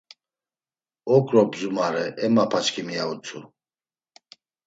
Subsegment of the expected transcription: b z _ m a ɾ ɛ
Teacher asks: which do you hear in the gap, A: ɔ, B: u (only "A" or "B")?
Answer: B